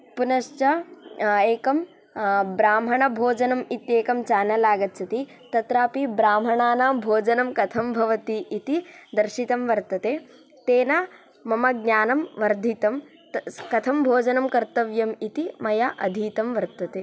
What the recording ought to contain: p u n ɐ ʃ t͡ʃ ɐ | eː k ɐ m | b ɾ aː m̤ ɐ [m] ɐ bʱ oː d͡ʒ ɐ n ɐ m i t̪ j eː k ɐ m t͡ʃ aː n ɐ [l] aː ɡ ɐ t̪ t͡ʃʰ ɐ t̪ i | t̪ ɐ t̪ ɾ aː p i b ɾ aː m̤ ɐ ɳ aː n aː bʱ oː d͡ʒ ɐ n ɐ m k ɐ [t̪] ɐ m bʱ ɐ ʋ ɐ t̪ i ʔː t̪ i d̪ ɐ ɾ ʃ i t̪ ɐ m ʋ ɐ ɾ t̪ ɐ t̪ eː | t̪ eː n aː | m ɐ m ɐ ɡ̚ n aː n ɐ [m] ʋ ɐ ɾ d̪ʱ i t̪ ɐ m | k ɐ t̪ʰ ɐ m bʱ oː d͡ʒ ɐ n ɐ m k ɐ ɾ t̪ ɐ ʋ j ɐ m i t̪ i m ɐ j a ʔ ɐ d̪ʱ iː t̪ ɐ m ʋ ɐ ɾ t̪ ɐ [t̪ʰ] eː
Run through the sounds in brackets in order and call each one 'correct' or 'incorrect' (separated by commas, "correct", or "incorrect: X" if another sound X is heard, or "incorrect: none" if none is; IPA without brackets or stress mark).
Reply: incorrect: ɳ, correct, incorrect: t̪ʰ, correct, incorrect: t̪